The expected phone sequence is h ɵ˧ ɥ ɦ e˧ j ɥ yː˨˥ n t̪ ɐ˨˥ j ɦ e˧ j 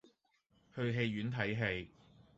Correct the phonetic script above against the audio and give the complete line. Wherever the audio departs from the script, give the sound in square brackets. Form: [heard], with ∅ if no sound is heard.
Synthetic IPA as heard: h ɵ˧ ɥ ɦ e˧ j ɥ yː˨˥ n [t̪ʰ] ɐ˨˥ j ɦ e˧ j